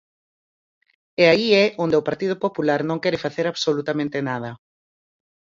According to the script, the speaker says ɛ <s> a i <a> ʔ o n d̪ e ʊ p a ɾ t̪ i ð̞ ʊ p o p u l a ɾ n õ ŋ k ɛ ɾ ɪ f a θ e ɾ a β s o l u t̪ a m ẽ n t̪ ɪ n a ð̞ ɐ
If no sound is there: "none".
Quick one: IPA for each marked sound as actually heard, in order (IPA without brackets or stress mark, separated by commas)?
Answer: none, ɛ